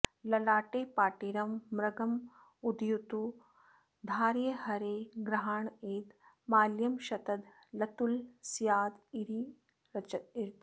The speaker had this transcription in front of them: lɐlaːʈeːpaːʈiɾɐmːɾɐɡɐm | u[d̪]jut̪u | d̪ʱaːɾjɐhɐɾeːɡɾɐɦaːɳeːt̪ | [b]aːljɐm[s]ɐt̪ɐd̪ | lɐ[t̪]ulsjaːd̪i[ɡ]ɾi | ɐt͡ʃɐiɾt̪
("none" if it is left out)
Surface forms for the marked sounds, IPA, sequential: d̪, m, ʃ, t̪, none

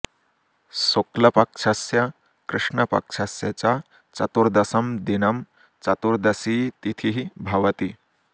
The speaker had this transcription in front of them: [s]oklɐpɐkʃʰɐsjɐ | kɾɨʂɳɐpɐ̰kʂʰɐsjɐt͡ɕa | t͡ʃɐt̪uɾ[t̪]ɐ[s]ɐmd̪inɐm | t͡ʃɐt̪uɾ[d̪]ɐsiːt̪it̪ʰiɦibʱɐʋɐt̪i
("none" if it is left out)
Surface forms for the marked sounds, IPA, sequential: s, d̪, s, d̪

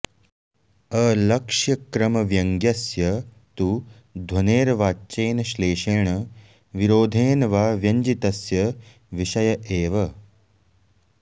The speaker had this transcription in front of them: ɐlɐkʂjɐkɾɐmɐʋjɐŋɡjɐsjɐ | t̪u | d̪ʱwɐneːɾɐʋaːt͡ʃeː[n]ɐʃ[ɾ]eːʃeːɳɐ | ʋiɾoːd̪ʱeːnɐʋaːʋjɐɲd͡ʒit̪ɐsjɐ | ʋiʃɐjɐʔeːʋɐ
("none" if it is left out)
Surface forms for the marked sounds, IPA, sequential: n, l

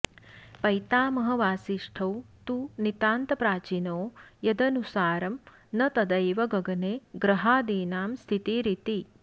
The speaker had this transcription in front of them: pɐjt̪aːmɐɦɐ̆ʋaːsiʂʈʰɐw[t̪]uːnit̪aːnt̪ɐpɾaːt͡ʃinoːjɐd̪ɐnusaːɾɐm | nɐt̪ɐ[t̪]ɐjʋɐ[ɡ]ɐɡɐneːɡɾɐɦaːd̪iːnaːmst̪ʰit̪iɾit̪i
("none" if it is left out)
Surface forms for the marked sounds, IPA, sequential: t̪, d̪, ɡ

